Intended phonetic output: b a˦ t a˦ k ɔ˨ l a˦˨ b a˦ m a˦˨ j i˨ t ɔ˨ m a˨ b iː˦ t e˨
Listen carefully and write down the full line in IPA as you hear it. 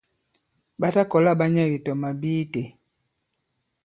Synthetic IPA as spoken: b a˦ t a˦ k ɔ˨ l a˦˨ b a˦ ɲ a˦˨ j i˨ t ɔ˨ m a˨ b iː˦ t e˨